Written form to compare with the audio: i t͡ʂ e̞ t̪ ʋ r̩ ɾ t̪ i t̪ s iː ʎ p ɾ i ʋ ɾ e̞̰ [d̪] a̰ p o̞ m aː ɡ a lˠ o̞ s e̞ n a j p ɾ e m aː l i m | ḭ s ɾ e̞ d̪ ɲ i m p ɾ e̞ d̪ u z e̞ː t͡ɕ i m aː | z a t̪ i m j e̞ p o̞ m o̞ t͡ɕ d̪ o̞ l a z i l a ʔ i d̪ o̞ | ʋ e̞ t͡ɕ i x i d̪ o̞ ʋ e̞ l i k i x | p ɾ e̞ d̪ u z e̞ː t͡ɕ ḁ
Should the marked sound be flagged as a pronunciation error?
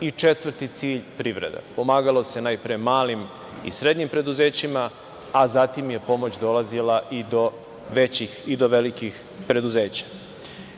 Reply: no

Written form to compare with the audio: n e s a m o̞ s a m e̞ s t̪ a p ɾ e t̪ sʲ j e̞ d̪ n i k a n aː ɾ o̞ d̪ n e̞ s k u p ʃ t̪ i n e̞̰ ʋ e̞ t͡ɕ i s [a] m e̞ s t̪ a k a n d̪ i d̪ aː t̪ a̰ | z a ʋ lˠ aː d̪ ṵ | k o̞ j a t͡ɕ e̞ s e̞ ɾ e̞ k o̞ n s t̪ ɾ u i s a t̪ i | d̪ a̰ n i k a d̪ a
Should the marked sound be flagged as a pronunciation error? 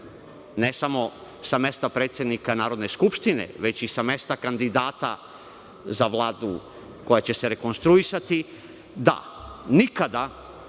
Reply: no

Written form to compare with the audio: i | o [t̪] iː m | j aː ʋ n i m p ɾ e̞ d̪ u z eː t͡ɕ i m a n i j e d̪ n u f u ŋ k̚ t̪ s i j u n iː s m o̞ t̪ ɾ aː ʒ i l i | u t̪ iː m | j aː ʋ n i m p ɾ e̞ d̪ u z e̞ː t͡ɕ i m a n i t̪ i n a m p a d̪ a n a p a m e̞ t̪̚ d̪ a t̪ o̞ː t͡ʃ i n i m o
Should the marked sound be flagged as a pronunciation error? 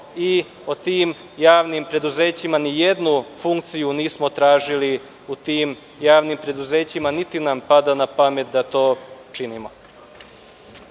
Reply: no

